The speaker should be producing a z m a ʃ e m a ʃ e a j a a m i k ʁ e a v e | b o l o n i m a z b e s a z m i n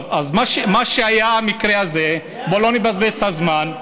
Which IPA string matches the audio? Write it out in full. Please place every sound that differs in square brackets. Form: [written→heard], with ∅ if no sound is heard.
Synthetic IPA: a z m a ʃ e m a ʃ e a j a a m i k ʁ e a [v→z] e | b o l o n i [m→b] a z b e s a z m [i→a] n